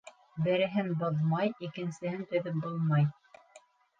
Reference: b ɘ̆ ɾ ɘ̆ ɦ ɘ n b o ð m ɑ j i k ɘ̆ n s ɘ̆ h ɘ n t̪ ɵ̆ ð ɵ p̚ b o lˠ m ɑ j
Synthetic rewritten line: b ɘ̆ ɾ ɘ̆ ɦ ɘ n b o ð m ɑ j i k ɘ̆ n s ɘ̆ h ɘ n t̪ ɵ̆ ð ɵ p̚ b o lˠ m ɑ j